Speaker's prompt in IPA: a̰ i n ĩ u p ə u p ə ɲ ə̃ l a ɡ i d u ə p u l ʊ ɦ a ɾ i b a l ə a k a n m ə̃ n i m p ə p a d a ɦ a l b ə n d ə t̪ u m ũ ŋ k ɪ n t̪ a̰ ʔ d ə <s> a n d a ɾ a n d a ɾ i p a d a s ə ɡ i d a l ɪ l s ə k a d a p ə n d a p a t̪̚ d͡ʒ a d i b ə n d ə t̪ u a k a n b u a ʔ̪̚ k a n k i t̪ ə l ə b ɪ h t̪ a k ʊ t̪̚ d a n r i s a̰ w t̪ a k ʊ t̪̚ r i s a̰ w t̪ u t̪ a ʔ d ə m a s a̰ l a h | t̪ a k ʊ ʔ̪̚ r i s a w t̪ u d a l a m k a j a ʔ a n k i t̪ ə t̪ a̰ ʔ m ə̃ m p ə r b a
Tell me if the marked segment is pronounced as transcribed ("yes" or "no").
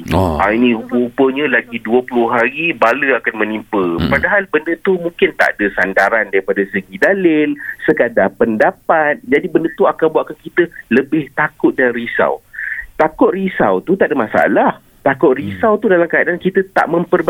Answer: yes